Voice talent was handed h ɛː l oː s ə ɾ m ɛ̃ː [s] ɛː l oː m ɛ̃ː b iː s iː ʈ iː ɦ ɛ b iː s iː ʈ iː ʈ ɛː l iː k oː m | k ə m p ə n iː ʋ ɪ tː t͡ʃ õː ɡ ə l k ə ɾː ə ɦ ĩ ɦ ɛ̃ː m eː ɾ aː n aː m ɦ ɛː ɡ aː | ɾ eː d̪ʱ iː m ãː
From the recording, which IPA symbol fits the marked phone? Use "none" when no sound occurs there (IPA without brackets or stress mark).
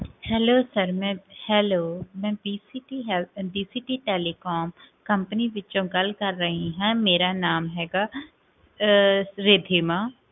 h